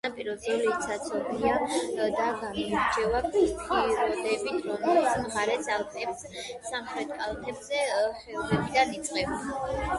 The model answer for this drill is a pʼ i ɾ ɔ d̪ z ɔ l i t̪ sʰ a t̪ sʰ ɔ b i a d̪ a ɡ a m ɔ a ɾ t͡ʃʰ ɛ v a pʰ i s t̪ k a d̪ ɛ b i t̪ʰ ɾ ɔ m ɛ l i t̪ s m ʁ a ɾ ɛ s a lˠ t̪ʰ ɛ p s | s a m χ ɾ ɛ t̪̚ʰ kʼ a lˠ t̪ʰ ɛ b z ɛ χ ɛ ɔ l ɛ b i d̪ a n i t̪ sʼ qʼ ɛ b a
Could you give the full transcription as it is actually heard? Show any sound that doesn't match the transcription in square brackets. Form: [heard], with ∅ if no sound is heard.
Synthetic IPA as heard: a pʼ i ɾ ɔ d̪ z ɔ l i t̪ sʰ a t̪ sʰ ɔ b i a d̪ a ɡ a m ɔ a ɾ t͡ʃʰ ɛ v a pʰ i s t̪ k [i] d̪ ɛ b i t̪ʰ ɾ ɔ m ɛ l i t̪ s m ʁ a ɾ ɛ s a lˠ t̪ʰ ɛ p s | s a m χ ɾ ɛ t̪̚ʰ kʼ a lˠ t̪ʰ ɛ b z ɛ χ ɛ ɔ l ɛ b i d̪ a n i t̪ sʼ qʼ ɛ b a